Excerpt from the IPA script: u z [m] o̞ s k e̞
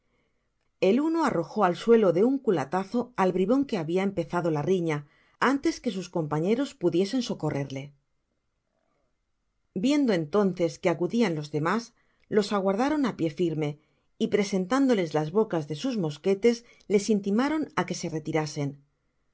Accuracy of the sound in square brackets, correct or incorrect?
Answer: correct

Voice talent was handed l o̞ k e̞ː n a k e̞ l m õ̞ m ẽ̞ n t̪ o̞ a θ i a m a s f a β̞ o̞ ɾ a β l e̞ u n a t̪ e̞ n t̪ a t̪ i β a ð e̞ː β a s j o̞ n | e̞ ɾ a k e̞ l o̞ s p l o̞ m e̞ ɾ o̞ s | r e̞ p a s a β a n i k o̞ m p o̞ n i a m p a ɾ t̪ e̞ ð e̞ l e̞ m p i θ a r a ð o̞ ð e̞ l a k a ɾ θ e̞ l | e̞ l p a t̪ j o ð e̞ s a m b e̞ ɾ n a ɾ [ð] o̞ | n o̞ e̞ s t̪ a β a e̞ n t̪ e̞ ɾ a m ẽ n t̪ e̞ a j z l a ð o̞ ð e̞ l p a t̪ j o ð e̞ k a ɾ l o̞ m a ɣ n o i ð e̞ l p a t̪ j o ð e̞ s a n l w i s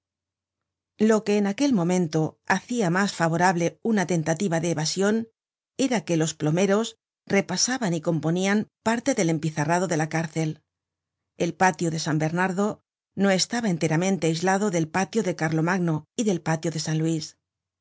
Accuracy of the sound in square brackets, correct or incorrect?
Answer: correct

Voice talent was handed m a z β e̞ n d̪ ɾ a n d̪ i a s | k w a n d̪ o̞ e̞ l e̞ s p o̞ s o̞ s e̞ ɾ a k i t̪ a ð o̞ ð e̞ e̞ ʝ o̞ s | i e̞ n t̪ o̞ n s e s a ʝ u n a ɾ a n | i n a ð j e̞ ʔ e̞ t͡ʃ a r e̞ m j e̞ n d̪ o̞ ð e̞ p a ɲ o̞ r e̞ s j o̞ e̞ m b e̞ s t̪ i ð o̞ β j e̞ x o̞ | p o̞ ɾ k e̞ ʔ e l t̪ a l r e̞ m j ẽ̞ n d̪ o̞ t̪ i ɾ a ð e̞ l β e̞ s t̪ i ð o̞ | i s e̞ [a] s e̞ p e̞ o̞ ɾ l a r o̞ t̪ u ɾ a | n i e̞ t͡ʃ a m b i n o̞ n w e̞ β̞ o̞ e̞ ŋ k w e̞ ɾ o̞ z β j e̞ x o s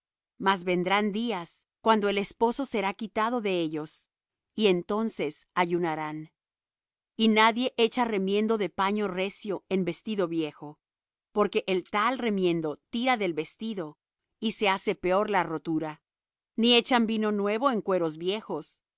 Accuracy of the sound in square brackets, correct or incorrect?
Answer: correct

